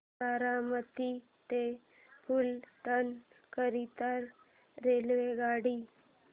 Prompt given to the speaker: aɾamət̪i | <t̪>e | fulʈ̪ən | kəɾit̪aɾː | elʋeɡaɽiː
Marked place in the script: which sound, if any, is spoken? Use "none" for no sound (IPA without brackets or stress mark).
t̪